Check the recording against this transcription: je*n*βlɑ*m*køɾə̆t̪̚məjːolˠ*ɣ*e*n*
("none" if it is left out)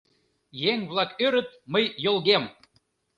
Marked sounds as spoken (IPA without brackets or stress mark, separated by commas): ŋ, none, ɣ, m